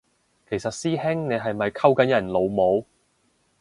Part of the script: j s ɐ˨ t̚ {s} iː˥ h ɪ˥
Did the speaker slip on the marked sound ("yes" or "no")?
no